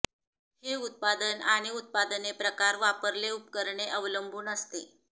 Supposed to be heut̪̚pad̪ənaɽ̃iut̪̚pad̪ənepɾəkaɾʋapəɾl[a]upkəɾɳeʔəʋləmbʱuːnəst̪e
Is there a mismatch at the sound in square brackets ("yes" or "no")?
yes